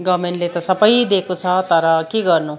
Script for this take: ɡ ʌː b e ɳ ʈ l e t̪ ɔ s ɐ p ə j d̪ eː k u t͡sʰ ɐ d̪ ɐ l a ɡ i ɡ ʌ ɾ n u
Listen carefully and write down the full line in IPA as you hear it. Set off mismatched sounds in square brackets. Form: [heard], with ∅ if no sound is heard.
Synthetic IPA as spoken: ɡ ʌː [m] e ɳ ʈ l e t̪ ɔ s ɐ p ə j d̪ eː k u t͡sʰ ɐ [t̪] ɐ [ɾ] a [k] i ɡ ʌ ɾ n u